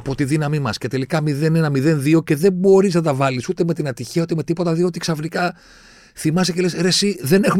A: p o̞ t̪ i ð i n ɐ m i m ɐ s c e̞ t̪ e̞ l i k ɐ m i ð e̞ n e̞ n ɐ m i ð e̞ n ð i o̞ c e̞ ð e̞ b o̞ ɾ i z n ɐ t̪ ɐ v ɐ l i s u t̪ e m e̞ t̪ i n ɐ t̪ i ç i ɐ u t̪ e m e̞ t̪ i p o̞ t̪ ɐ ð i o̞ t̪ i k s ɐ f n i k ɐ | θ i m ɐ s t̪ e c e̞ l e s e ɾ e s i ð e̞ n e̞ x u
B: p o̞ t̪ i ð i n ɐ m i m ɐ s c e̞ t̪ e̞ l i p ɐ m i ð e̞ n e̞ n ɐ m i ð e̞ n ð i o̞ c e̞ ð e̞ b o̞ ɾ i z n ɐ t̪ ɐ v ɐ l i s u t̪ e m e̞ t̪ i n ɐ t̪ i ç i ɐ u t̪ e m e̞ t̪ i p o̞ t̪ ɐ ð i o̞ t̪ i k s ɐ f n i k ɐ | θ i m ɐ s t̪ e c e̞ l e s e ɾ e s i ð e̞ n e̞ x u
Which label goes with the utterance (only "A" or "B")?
A